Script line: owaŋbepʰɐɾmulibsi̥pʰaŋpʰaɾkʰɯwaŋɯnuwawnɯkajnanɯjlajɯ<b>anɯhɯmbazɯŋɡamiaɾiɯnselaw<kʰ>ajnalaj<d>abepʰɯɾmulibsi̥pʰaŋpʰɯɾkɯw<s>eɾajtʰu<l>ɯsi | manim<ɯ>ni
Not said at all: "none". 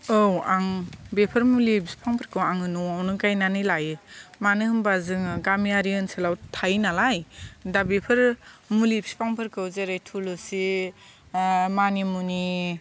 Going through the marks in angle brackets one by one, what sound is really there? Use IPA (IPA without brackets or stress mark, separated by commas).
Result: m, tʰ, d, z, l, u